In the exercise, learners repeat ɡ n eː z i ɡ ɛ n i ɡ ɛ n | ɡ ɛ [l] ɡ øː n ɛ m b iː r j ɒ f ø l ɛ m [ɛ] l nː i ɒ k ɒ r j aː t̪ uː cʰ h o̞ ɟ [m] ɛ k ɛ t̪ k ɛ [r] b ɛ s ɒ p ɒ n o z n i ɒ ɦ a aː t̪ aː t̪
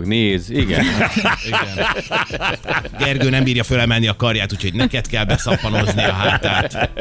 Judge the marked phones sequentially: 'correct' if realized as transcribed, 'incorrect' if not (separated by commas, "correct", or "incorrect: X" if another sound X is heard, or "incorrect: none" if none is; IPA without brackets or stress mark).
incorrect: r, correct, incorrect: n, incorrect: l